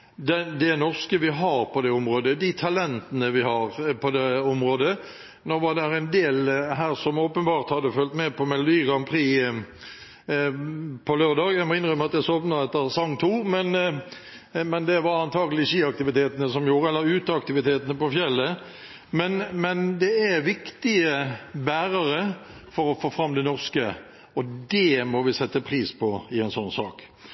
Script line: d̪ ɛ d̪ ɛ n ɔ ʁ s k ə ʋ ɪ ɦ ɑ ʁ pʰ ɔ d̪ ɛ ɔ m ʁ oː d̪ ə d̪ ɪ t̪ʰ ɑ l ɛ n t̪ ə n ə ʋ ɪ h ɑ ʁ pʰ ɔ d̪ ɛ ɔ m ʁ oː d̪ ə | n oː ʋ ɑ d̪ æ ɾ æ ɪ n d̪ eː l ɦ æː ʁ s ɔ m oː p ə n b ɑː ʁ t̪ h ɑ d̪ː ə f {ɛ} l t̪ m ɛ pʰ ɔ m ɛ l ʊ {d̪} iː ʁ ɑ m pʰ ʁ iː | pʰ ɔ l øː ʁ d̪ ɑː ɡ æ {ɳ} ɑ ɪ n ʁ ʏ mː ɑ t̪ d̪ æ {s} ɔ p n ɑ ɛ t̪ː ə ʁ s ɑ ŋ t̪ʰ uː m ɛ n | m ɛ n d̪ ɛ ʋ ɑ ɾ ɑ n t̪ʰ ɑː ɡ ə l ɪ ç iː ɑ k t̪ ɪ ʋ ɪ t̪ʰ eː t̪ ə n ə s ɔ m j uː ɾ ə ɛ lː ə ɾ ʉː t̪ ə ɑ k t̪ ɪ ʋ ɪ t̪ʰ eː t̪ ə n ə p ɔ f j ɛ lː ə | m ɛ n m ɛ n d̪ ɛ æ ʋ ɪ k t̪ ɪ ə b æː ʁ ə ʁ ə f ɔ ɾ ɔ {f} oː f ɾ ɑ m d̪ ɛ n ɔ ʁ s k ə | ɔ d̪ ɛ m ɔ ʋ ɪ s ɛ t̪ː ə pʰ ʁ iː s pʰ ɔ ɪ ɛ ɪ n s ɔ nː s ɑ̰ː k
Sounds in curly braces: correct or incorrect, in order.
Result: incorrect, correct, incorrect, correct, correct

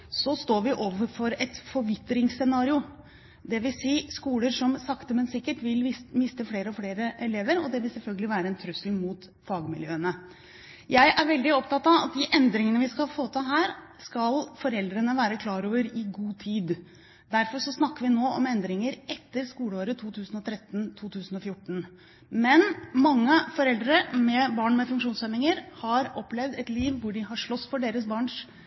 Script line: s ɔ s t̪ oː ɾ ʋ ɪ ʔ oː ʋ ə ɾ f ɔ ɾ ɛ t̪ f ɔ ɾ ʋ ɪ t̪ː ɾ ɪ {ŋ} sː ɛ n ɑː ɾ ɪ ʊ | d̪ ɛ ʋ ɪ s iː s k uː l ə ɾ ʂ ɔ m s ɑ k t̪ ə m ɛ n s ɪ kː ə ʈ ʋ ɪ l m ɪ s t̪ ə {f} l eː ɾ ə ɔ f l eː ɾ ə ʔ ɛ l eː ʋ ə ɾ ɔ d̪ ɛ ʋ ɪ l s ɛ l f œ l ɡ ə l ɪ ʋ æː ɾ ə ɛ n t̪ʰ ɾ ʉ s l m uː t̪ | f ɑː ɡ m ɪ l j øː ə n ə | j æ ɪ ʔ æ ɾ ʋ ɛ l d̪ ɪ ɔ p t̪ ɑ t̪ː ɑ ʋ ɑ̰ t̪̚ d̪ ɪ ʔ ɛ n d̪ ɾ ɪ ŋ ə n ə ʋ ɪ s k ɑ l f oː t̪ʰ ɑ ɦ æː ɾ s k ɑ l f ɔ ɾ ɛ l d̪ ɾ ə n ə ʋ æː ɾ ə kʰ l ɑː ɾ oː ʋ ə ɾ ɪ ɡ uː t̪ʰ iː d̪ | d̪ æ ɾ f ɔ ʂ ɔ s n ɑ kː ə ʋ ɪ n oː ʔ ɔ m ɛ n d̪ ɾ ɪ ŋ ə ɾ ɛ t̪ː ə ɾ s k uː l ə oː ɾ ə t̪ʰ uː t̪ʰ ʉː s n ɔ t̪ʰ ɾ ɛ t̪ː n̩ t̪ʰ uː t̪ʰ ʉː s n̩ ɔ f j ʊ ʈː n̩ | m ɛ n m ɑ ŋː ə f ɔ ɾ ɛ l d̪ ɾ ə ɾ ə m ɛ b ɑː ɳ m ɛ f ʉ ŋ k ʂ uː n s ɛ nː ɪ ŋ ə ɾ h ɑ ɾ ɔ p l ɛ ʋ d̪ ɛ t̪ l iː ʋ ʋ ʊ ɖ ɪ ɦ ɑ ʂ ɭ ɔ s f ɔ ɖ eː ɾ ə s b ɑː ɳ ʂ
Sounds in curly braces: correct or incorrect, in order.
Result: correct, correct

